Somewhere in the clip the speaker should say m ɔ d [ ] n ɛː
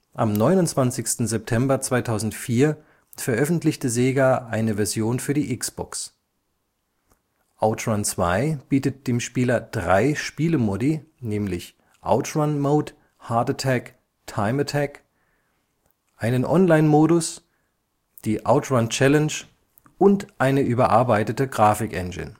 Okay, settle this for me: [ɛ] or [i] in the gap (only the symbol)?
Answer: i